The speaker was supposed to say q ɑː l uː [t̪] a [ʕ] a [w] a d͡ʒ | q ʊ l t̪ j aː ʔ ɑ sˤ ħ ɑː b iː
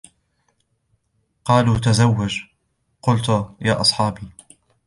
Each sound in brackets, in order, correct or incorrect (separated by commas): correct, incorrect, incorrect